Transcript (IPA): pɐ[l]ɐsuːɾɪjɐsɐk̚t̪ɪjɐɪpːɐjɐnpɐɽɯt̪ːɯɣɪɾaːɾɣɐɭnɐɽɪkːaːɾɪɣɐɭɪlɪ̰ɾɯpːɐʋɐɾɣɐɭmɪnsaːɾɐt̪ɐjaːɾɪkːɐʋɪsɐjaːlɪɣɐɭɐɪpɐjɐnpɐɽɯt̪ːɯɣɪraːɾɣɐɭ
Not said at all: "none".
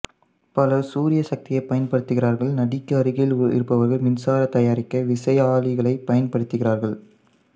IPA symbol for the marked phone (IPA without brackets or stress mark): l